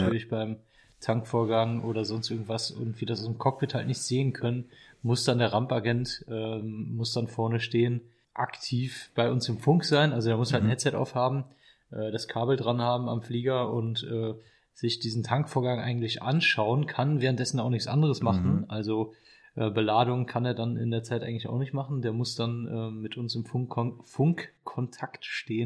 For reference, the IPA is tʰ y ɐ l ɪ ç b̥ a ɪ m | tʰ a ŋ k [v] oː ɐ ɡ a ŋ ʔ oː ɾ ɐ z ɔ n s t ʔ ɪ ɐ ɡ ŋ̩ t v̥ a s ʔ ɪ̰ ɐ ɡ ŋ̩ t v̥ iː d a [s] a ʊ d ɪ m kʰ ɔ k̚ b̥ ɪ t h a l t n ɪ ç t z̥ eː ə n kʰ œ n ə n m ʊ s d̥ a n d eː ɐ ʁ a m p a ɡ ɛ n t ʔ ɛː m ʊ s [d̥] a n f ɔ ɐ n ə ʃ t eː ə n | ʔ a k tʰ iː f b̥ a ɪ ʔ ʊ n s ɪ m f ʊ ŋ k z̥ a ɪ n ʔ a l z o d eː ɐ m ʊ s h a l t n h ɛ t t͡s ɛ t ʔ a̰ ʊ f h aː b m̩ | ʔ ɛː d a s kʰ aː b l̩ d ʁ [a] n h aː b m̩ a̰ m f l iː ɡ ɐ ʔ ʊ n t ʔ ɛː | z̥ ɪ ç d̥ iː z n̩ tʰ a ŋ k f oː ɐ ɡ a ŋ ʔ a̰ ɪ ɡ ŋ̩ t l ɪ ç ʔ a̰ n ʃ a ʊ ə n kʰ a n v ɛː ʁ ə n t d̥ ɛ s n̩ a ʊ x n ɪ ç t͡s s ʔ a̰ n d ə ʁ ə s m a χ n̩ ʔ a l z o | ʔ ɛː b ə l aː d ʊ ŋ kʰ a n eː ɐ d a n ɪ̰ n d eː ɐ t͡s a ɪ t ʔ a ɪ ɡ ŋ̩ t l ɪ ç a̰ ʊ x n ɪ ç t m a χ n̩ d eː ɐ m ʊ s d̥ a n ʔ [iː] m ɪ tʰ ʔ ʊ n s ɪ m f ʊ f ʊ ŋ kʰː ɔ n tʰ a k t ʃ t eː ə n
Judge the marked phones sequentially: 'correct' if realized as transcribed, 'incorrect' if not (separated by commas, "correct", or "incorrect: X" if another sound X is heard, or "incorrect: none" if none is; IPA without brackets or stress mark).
incorrect: f, correct, correct, correct, incorrect: ɛː